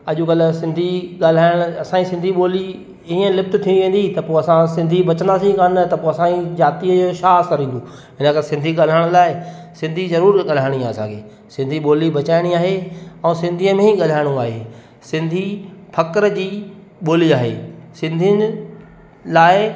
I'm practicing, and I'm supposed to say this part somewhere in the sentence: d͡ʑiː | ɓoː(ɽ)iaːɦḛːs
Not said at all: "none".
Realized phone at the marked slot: l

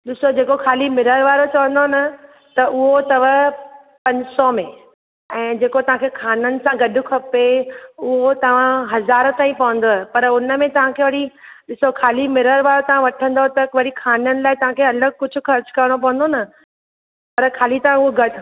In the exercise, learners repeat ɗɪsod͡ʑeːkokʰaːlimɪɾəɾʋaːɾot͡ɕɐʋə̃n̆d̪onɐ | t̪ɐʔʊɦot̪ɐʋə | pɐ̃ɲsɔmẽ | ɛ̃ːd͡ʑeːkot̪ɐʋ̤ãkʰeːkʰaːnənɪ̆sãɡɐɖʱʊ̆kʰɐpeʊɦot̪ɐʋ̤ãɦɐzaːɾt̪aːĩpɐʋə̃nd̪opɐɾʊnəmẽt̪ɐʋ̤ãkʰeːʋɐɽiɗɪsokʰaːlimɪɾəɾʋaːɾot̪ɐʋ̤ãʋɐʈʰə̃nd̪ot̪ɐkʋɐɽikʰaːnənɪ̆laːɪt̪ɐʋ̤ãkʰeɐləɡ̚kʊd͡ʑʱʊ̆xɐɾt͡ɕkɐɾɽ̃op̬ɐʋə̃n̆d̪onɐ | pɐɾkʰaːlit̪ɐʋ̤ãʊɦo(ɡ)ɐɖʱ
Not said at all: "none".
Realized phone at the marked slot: ɡ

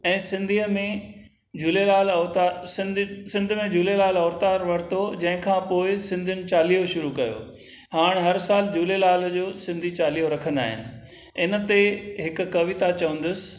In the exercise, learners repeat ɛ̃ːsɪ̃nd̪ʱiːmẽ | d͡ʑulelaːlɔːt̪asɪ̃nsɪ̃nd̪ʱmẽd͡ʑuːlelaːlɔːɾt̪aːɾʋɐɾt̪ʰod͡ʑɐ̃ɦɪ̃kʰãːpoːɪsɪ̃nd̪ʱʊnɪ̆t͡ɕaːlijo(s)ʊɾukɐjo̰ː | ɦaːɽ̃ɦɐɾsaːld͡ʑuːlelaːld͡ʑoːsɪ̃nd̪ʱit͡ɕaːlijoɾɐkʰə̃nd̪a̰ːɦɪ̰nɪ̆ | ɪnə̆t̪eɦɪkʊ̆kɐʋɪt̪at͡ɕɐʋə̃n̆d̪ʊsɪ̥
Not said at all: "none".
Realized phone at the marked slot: ʃ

